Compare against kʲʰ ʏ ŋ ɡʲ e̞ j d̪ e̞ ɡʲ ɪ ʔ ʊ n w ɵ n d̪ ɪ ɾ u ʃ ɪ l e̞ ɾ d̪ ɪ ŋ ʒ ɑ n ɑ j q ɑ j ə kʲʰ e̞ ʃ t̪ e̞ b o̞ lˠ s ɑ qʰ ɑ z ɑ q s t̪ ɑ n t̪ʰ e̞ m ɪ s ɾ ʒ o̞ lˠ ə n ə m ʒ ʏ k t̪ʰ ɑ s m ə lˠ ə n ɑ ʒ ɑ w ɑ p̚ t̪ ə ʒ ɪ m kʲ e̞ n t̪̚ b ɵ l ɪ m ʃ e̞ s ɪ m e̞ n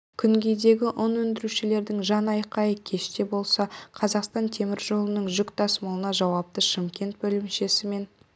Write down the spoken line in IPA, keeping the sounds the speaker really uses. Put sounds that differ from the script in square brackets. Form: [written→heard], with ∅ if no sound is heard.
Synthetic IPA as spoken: kʲʰ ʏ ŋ ɡʲ e̞ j d̪ e̞ ɡʲ ɪ ʔ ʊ n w ɵ n d̪ ɪ ɾ u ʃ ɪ l e̞ ɾ d̪ ɪ ŋ ʒ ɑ n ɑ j q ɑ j ə kʲʰ e̞ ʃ t̪ e̞ b o̞ lˠ s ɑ qʰ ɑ z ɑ q s t̪ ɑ n t̪ʰ e̞ m ɪ [s→∅] ɾ ʒ o̞ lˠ ə n ə [m→ɴ] ʒ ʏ k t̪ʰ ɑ s m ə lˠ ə n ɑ ʒ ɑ w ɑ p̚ t̪ ə [ʒ→ʃ] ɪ m kʲ e̞ n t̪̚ b ɵ l ɪ m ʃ e̞ s ɪ m e̞ n

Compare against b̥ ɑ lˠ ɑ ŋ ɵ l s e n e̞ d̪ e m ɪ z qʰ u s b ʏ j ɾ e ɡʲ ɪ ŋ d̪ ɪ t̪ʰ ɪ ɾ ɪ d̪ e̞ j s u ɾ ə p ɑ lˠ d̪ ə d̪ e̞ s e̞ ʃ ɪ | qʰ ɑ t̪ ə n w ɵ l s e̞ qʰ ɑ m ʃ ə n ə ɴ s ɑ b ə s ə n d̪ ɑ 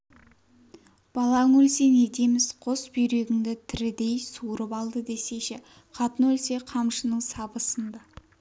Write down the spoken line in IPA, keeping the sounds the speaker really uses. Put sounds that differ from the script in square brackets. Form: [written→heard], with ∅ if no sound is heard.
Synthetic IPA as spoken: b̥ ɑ lˠ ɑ ŋ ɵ l s e n e̞ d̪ e m ɪ z qʰ [u→o] s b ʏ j ɾ e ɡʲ ɪ ŋ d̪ ɪ t̪ʰ ɪ ɾ ɪ d̪ e̞ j s u ɾ ə p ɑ lˠ d̪ ə d̪ e̞ s e̞ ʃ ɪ | qʰ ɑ t̪ ə n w ɵ l s e̞ qʰ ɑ m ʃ ə n ə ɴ s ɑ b ə s ə n d̪ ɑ

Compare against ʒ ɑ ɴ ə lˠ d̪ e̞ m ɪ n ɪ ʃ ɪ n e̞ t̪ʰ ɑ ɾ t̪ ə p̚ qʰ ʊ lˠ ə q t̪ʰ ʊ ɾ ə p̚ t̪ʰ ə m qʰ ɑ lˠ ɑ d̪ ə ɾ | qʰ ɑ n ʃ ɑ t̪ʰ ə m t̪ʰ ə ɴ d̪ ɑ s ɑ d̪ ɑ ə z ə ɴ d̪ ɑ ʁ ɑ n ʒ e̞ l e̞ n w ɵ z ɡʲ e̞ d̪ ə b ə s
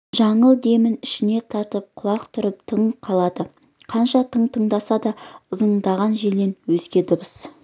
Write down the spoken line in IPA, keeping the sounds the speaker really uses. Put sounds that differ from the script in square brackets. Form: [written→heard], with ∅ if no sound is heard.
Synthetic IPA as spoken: ʒ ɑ ɴ ə lˠ d̪ e̞ m ɪ n ɪ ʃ ɪ n e̞ t̪ʰ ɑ ɾ t̪ ə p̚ qʰ ʊ lˠ [ə→ɑ] q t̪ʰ ʊ ɾ ə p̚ t̪ʰ ə [m→ɴ] qʰ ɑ lˠ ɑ d̪ ə [ɾ→∅] | qʰ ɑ n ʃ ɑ t̪ʰ ə [m→ɴ] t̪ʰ ə ɴ d̪ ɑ s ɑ d̪ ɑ ə z ə ɴ d̪ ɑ ʁ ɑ n ʒ e̞ l e̞ n w ɵ z ɡʲ e̞ d̪ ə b ə s

